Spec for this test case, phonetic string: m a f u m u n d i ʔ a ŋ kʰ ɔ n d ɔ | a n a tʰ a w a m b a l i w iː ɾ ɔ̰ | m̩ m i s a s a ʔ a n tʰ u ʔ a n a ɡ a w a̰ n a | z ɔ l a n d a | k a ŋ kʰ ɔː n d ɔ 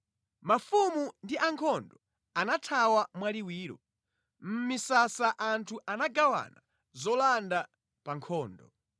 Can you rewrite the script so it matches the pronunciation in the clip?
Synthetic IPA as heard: m a f u m u n d i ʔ a ŋ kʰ ɔ n d ɔ | a n a tʰ a w a m w a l i w iː ɾ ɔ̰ | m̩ m i s a s a ʔ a n tʰ u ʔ a n a ɡ a w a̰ n a | z ɔ l a n d a | p a ŋ kʰ ɔː n d ɔ